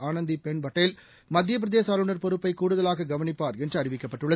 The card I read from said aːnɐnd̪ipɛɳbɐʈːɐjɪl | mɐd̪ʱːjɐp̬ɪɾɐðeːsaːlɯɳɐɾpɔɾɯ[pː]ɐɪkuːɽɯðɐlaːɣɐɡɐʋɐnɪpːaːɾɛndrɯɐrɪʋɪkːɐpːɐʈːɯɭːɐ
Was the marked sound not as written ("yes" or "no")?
no